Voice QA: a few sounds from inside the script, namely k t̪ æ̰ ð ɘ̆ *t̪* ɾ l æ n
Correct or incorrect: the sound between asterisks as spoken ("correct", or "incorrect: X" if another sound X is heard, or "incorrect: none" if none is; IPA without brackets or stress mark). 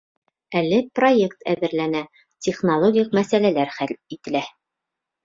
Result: incorrect: none